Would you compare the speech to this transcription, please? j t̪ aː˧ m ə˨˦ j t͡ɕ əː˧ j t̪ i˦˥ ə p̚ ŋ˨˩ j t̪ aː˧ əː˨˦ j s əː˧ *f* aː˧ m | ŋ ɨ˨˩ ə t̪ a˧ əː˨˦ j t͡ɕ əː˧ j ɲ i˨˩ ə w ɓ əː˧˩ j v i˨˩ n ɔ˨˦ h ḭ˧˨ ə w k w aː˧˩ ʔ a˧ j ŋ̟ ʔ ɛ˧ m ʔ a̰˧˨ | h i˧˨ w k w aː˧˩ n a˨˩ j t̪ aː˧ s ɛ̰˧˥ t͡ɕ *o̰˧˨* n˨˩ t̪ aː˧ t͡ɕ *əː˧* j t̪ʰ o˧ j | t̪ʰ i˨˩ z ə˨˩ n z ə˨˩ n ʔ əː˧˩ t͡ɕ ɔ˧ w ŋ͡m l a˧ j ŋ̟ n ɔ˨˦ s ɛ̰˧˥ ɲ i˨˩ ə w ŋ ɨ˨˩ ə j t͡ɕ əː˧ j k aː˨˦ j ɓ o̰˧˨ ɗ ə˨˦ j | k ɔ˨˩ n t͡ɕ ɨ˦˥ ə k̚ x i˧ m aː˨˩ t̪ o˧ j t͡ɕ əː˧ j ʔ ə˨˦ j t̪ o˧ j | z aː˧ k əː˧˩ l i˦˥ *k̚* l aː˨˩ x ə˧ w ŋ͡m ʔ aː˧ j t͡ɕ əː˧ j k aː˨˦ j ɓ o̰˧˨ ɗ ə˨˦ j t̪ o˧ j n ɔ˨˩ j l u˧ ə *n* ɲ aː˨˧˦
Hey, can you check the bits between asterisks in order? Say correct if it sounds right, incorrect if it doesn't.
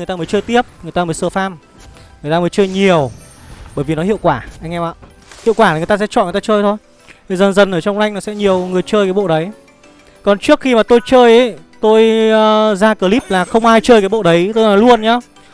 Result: correct, incorrect: ɔ̰˧˨, correct, incorrect: p̚, correct

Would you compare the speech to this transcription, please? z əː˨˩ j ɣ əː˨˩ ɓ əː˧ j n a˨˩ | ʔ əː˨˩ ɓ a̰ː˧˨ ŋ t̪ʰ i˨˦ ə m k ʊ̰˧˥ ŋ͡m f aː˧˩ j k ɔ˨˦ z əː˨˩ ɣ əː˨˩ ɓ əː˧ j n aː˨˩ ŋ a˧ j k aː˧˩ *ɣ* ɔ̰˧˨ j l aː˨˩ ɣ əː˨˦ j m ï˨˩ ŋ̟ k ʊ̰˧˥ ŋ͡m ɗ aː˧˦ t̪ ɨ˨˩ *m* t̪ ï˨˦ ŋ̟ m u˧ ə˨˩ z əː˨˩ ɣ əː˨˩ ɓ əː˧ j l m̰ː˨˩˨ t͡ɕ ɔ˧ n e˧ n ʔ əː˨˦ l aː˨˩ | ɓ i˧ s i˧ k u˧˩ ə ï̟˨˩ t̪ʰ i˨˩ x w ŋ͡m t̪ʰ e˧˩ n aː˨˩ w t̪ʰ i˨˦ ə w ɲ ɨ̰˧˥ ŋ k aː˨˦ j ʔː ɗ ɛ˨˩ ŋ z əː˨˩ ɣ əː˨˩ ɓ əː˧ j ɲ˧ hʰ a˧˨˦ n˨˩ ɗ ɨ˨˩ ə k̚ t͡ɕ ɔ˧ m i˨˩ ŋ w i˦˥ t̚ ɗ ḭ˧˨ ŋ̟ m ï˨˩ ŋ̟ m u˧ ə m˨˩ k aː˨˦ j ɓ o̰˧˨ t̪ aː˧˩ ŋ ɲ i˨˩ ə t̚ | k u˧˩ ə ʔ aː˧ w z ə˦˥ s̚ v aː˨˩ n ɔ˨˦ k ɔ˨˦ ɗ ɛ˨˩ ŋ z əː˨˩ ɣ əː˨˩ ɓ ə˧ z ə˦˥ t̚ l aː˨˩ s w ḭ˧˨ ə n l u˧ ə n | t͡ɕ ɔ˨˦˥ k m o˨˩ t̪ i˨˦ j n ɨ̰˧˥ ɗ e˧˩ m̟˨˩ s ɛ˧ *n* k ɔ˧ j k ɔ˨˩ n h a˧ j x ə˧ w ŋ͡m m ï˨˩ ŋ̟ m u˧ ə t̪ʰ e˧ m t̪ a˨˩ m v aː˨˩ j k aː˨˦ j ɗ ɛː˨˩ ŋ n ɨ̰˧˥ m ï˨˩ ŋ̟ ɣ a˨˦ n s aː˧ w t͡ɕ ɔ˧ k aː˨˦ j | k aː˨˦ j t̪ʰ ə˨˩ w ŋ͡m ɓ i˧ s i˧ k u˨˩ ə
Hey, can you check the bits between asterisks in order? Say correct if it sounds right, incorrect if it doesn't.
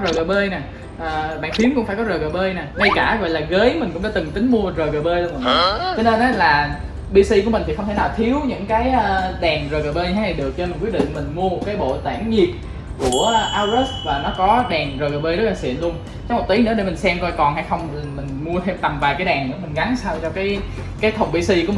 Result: correct, incorrect: ŋ, incorrect: m

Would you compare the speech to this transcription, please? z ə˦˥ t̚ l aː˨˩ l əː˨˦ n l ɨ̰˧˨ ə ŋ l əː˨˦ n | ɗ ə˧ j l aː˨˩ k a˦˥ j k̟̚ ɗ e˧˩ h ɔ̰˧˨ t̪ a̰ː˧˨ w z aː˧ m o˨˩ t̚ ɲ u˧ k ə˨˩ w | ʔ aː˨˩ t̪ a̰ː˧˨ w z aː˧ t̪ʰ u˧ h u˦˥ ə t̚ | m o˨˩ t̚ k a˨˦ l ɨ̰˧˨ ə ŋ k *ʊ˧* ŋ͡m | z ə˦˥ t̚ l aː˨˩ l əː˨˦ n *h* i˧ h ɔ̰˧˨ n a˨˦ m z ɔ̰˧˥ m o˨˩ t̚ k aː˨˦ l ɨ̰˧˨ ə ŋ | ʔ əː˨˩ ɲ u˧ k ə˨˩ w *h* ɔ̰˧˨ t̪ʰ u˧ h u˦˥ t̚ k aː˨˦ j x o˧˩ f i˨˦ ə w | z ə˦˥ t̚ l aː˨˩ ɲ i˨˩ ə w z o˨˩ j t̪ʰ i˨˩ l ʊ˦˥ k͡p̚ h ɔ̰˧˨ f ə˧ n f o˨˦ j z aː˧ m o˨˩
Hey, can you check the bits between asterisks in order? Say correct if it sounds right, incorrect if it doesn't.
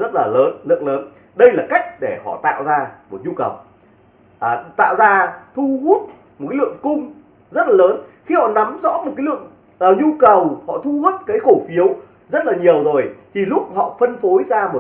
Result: correct, incorrect: x, correct

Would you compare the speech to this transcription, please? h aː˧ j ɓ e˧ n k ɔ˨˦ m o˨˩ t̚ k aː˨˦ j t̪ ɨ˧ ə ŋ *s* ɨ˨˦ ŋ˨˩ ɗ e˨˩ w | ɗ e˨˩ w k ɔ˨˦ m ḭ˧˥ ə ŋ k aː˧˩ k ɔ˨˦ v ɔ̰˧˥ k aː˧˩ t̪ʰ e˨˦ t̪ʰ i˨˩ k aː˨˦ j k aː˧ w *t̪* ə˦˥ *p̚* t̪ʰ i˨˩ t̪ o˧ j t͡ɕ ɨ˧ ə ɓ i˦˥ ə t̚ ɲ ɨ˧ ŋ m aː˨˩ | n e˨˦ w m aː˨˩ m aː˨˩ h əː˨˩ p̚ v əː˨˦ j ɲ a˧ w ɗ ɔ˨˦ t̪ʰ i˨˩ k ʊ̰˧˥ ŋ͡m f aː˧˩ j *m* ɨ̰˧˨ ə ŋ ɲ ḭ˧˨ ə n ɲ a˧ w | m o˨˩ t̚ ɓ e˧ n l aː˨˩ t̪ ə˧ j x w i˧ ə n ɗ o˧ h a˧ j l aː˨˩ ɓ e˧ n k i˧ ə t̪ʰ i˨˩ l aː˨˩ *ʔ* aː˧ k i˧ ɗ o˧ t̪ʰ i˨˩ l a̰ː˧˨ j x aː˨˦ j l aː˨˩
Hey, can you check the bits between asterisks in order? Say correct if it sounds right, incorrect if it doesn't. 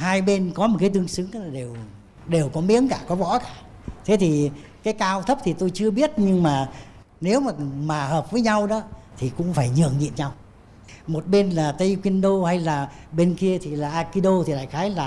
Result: correct, incorrect: t̪ʰ, correct, incorrect: ɲ, correct

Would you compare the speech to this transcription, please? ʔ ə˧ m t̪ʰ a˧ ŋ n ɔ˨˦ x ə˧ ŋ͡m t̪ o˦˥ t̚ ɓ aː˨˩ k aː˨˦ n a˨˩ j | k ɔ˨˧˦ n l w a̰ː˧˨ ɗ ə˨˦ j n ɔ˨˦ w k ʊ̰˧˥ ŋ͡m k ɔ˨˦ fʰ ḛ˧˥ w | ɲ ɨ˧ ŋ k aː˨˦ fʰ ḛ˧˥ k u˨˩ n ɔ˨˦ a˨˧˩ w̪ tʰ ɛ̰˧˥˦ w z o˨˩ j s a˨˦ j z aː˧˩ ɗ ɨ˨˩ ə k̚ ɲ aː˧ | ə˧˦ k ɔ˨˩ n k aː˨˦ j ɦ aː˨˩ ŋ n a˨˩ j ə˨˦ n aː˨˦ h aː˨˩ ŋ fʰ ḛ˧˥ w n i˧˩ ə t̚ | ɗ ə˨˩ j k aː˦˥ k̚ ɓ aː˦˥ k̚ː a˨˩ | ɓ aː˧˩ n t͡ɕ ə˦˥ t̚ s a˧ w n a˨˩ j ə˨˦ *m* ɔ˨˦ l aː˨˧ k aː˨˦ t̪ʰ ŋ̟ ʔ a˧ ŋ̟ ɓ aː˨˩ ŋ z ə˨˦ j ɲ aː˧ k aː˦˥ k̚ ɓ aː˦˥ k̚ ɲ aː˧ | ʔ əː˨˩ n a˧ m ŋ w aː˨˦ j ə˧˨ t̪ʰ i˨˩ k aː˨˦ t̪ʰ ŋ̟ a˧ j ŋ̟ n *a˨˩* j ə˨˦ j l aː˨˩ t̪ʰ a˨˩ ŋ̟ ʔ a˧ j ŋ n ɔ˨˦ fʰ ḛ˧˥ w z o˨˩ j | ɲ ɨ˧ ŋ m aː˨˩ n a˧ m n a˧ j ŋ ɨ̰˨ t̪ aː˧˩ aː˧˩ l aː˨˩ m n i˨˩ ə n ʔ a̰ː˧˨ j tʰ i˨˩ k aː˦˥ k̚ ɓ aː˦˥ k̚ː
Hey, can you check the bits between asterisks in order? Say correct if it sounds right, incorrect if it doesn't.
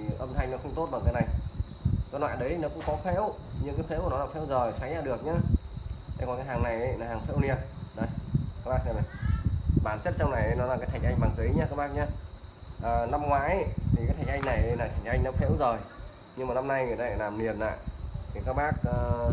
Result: incorrect: n, correct

